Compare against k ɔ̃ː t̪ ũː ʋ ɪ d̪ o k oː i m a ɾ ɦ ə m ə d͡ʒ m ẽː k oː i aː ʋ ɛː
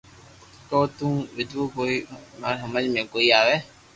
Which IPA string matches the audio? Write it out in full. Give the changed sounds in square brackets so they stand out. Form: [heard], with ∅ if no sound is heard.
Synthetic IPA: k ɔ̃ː t̪ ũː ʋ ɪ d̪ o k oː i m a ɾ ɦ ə m ə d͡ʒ m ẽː k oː i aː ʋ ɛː